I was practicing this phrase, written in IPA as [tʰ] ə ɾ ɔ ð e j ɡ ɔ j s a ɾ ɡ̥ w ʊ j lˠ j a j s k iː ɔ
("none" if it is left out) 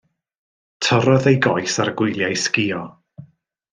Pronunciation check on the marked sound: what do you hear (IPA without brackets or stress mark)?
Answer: tʰ